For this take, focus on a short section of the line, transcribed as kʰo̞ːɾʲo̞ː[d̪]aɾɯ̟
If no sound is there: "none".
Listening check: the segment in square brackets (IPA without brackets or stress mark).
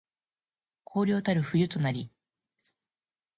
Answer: t̪